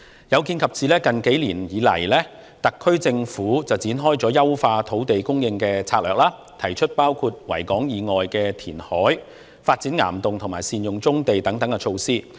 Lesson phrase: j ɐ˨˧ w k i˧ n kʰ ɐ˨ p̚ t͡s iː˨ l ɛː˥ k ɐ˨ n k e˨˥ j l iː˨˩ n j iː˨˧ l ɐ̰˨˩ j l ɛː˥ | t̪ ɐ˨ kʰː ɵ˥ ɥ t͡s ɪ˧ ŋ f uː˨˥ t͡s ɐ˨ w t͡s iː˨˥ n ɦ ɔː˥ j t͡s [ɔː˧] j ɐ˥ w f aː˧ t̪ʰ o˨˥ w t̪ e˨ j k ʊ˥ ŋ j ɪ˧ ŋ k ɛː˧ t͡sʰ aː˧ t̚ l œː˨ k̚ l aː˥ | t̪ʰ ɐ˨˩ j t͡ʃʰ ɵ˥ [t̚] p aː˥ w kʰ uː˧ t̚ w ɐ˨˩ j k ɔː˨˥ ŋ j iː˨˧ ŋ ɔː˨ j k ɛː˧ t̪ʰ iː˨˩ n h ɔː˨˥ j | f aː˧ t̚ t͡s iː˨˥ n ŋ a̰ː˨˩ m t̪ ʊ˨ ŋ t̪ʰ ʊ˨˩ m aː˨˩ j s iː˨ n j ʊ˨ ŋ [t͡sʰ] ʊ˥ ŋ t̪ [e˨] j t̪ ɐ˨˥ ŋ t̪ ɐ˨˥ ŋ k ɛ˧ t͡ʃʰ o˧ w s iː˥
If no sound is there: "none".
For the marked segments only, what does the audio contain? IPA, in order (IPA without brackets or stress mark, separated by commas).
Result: ɔː˨˥, t̚, t͡s, e˨